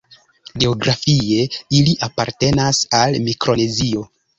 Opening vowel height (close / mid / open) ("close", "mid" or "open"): mid